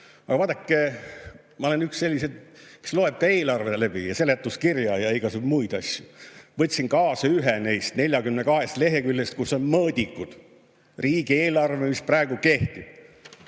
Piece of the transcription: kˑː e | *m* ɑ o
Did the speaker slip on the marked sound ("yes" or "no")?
no